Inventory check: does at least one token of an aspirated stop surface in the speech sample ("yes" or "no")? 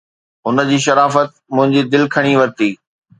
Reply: yes